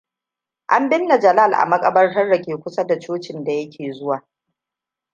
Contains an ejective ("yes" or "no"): yes